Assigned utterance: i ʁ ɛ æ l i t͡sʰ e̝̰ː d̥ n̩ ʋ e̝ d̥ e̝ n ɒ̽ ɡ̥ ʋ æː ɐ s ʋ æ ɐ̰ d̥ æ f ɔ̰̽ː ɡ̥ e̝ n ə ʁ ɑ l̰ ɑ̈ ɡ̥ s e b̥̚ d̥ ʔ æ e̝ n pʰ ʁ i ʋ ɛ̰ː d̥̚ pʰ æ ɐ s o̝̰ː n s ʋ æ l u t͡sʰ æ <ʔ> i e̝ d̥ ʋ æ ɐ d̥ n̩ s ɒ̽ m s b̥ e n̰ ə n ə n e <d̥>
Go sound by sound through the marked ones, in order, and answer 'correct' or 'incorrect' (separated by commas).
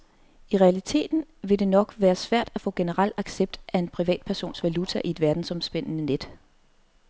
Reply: correct, correct